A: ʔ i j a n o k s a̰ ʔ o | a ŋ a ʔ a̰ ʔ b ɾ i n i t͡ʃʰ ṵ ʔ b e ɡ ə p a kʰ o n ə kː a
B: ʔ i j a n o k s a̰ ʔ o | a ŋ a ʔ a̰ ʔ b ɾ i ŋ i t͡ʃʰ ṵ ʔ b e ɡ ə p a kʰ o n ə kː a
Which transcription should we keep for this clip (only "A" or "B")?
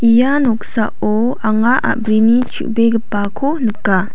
A